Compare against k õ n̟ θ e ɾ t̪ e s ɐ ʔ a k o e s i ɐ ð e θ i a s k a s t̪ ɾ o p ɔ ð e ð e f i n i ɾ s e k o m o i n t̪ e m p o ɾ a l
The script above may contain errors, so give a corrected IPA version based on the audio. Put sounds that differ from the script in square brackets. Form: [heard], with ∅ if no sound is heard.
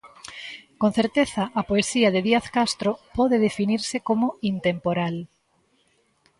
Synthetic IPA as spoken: k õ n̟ θ e ɾ t̪ e [θ] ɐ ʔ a [p] o e s i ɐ ð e [ð] i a [θ] k a s t̪ ɾ o p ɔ ð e ð e f i n i ɾ s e k o m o i n t̪ e m p o ɾ a l